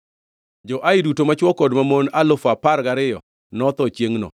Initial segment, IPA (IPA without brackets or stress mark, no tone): d͡ʒ